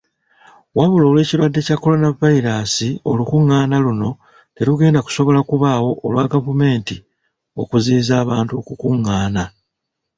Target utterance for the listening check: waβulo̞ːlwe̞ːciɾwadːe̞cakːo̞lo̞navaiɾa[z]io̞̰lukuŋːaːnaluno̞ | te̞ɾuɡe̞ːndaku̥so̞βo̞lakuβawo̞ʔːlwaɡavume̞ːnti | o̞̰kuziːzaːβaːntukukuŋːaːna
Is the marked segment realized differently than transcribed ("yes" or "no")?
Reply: yes